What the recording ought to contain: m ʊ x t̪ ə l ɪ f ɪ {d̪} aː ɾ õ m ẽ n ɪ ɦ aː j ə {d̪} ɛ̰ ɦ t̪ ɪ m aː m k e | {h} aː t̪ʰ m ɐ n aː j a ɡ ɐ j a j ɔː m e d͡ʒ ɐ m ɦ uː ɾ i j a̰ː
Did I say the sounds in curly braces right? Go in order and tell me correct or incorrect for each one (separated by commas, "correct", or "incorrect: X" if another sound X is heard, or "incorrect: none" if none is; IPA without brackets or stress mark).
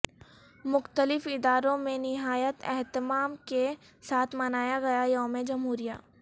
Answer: correct, incorrect: t̪, incorrect: s